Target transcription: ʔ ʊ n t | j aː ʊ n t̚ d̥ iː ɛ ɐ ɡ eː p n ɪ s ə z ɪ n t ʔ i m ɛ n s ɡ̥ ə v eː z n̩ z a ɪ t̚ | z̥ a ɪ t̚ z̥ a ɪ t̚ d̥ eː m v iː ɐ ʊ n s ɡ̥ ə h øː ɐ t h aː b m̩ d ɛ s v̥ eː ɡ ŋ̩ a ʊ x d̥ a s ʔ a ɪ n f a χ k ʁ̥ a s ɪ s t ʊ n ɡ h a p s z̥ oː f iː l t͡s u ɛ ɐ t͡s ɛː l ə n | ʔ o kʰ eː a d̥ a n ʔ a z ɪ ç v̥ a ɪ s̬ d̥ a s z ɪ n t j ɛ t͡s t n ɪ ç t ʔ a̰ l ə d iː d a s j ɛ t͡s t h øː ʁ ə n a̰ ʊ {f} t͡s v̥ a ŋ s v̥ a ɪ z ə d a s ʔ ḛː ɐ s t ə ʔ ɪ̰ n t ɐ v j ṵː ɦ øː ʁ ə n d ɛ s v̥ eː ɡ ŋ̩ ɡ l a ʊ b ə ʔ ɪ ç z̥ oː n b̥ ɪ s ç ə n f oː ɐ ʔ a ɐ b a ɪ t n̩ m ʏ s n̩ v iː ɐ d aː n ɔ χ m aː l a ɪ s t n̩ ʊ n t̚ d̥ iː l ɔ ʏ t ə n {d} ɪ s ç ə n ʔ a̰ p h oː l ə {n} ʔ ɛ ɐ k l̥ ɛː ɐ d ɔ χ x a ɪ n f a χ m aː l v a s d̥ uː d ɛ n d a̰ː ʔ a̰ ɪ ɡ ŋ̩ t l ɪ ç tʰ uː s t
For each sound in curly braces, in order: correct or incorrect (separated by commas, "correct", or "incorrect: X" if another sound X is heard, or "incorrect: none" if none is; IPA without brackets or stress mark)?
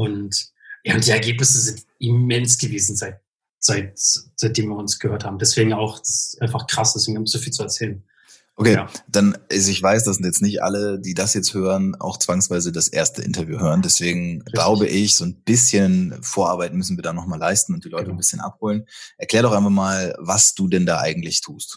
incorrect: x, incorrect: b, correct